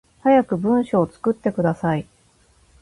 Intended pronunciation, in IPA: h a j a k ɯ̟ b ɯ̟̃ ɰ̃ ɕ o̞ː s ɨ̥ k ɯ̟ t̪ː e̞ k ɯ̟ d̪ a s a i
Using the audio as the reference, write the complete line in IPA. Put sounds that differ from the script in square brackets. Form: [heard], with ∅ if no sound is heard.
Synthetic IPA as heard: h a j a k ɯ̟ b ɯ̟̃ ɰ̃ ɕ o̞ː [t͡s] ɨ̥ k ɯ̟ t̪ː e̞ k ɯ̟ d̪ a s a i